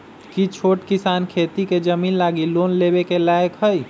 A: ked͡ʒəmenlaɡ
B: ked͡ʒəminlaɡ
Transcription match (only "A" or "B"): B